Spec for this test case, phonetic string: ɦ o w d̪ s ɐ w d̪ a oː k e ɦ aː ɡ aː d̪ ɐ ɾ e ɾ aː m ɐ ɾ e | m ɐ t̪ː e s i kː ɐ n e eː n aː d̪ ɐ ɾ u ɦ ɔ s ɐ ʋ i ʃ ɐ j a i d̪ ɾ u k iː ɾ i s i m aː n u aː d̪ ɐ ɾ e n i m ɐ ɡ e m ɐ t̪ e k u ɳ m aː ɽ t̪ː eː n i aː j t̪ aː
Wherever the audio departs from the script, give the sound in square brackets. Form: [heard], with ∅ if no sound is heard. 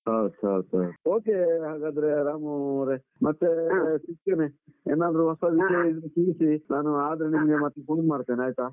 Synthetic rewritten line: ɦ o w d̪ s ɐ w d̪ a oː k e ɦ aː ɡ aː d̪ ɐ ɾ e ɾ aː m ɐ ɾ e | m ɐ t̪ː e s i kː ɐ n e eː n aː d̪ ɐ ɾ u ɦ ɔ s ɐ ʋ i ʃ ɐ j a i d̪ ɾ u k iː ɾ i s i [n] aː n u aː d̪ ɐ ɾ e n i m ɐ ɡ e m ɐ t̪ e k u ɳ m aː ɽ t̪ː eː n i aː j t̪ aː